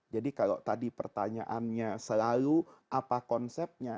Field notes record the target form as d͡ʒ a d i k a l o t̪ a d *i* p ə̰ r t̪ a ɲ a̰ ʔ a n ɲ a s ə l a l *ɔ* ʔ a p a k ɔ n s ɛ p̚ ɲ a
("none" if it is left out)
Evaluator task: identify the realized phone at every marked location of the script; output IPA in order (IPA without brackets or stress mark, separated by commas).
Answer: i, u